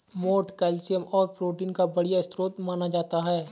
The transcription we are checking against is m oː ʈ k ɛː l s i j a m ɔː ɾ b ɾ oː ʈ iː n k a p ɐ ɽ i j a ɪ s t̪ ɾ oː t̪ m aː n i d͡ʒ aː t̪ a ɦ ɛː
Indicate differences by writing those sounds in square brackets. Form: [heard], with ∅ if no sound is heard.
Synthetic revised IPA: m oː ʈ k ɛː l s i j [ə] m ɔː ɾ [p] ɾ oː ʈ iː n k a [b] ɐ ɽ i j a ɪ s t̪ ɾ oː t̪ m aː n [a] d͡ʒ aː t̪ a ɦ ɛː